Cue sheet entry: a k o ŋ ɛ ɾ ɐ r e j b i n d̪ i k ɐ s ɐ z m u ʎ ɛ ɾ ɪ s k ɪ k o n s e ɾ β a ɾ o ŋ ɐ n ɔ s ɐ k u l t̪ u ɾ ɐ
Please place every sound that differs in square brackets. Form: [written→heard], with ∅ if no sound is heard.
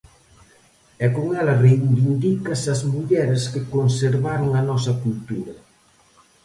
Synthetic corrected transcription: [a→ɛ] k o ŋ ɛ [ɾ→l] ɐ r e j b i n d̪ i k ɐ s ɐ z m u ʎ ɛ ɾ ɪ s k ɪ k o n s e ɾ β a ɾ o ŋ ɐ n ɔ s ɐ k u l t̪ u ɾ ɐ